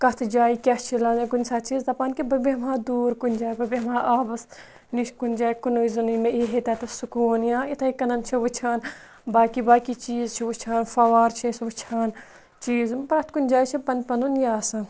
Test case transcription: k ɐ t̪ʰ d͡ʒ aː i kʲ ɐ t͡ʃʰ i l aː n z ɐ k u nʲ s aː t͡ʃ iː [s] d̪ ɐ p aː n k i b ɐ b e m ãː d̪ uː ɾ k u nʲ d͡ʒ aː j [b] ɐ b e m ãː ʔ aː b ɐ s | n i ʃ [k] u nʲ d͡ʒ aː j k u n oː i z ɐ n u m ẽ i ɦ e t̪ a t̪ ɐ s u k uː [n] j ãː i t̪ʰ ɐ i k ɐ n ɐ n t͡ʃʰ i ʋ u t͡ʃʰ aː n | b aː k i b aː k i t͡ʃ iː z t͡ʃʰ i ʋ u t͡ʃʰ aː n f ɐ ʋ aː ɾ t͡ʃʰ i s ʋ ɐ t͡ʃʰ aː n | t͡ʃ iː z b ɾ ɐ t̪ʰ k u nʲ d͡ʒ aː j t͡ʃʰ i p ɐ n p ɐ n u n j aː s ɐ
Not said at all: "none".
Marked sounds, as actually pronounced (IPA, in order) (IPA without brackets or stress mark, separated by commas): z, b, k, n